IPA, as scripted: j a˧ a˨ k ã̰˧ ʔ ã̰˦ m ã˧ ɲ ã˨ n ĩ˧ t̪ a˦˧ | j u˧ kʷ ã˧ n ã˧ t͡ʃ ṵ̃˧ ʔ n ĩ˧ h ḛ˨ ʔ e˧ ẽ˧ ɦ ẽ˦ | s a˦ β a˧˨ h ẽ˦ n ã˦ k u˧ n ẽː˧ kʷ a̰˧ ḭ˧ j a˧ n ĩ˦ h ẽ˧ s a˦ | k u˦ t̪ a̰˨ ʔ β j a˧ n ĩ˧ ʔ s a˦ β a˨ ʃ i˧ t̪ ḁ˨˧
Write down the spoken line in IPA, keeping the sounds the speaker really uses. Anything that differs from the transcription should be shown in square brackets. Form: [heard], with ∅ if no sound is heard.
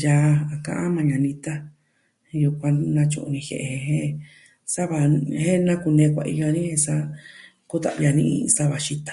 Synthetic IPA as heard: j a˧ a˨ k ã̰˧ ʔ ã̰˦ m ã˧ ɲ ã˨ n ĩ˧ t̪ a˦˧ | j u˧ kʷ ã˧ n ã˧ t͡ʃ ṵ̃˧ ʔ n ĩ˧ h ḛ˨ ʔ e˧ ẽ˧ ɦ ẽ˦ | s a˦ β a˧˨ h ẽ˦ n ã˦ k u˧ n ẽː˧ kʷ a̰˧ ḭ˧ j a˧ n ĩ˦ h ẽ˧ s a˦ | k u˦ t̪ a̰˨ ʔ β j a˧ n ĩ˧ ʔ s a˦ β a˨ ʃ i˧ t̪ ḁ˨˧